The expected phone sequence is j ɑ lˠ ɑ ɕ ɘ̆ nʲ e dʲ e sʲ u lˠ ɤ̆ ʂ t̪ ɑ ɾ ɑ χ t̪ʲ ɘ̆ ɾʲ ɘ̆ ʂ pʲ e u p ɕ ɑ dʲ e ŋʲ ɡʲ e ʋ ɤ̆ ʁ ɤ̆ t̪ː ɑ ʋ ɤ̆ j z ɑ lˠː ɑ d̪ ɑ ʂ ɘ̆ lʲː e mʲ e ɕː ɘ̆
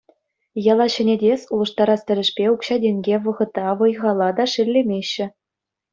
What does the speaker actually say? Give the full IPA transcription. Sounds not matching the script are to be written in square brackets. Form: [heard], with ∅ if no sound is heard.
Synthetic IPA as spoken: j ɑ lˠ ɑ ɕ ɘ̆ nʲ e dʲ e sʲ u lˠ ɤ̆ ʂ t̪ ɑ ɾ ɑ [s] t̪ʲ ɘ̆ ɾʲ ɘ̆ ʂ pʲ e u [k] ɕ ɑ dʲ e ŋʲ ɡʲ e ʋ ɤ̆ ʁ ɤ̆ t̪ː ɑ ʋ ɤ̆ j [ʁ] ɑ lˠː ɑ d̪ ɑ ʂ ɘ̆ lʲː e mʲ e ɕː ɘ̆